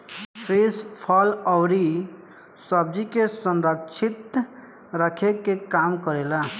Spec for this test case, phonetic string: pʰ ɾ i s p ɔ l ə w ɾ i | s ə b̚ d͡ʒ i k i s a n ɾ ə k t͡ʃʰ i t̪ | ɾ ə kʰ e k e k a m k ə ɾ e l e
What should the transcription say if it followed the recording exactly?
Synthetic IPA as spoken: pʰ ɾ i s pʰ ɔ l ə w ɾ i | s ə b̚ d͡ʒ i k e s ə n ɾ ə k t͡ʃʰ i t̪ | ɾ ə kʰ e k e k a m k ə ɾ e l a